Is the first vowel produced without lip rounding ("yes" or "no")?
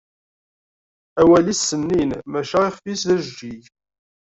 yes